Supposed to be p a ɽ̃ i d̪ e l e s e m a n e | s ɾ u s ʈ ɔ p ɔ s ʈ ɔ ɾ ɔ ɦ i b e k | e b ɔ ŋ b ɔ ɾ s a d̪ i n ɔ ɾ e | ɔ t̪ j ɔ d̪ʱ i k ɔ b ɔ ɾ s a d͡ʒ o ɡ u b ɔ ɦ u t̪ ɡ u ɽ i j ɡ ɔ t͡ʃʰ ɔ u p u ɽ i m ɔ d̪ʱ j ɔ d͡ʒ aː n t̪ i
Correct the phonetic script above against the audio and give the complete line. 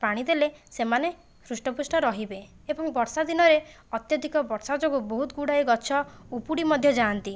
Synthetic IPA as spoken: p a ɽ̃ i d̪ e l e s e m a n e | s ɾ u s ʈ ɔ p u s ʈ ɔ ɾ ɔ ɦ i b e | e b ɔ ŋ b ɔ ɾ s a d̪ i n ɔ ɾ e | ɔ t̪ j ɔ d̪ʱ i k ɔ b ɔ ɾ s a d͡ʒ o ɡ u b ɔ ɦ u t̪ ɡ u ɽ a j ɡ ɔ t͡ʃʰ ɔ u p u ɽ i m ɔ d̪ʱ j ɔ d͡ʒ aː n t̪ i